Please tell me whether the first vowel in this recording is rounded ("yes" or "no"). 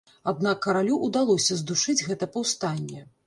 no